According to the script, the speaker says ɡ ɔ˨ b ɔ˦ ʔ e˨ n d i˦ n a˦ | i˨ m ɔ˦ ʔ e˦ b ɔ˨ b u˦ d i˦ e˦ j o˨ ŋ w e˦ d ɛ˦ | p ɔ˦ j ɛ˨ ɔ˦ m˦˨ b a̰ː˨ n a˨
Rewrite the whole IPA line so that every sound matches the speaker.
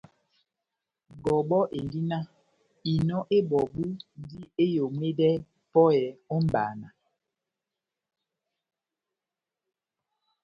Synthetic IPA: ɡ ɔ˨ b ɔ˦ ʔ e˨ n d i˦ n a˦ | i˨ n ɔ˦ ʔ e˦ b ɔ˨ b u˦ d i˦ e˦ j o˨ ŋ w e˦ d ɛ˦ | p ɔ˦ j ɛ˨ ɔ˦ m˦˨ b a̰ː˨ n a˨